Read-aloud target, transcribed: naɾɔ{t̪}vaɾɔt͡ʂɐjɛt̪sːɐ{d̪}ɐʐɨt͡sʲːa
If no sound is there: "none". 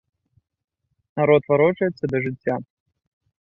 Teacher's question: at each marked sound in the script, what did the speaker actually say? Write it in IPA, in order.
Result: t̪, d̪

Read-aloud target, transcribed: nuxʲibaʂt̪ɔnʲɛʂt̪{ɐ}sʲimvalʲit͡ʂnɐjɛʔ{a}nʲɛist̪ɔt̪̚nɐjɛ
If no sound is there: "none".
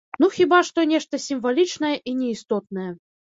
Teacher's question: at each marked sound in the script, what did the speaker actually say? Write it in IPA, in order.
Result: ɐ, i

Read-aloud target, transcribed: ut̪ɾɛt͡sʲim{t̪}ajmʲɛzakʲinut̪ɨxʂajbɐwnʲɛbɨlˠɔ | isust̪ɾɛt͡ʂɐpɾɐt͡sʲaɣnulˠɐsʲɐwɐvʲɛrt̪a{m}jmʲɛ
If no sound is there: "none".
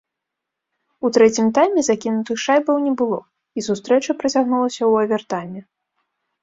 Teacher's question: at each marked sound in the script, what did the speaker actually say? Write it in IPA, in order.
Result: t̪, none

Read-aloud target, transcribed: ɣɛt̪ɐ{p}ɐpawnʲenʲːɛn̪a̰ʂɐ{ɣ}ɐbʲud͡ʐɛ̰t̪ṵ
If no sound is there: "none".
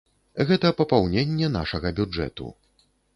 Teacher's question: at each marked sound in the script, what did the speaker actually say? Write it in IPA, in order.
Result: p, ɣ

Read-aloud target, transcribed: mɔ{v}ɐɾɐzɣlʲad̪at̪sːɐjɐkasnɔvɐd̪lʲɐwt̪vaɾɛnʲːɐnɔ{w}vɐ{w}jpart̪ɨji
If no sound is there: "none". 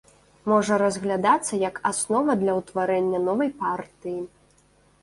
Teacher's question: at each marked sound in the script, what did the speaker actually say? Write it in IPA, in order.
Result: ʐ, none, none

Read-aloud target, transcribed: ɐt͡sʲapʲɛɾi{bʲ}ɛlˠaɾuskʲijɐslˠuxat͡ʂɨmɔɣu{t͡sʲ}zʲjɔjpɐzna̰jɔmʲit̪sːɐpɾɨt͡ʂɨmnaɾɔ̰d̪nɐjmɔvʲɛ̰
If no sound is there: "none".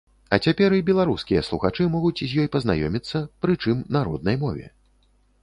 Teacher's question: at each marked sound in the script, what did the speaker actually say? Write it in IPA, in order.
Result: bʲ, t͡sʲ

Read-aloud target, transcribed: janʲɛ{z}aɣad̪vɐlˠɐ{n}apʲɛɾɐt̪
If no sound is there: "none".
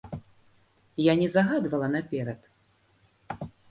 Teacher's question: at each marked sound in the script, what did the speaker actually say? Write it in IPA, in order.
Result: z, n

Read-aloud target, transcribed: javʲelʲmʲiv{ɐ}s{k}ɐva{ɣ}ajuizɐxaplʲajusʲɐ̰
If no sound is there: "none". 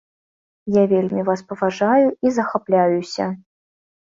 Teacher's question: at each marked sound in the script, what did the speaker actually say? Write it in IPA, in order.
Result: a, p, ʐ

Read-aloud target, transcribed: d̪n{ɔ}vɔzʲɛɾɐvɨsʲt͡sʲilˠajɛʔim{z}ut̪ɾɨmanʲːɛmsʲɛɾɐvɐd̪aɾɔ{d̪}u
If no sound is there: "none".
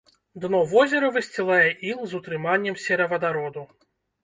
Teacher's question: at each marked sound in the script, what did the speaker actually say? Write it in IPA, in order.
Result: ɔ, z, d̪

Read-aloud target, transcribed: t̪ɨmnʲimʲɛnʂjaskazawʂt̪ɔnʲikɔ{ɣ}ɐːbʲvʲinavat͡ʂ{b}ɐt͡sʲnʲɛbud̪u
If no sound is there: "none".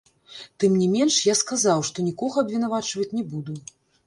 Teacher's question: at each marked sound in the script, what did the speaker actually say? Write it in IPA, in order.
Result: ɣ, v

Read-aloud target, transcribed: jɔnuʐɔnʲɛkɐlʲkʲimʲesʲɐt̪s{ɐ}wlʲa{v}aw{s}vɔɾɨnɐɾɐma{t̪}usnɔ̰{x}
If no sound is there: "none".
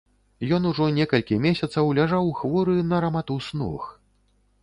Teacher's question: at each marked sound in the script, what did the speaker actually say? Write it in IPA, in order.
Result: ɐ, ʐ, x, t̪, x

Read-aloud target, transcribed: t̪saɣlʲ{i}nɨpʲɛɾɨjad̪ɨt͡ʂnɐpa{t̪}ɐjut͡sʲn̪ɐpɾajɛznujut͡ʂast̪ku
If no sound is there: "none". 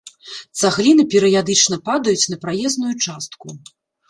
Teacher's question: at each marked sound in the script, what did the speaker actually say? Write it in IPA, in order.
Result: i, d̪

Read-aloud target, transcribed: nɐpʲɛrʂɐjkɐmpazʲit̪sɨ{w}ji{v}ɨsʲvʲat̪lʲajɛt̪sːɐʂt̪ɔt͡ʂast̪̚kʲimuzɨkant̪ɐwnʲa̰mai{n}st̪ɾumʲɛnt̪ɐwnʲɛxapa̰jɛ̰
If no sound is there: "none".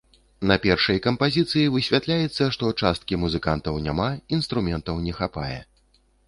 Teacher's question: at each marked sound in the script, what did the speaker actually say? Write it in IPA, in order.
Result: none, v, n

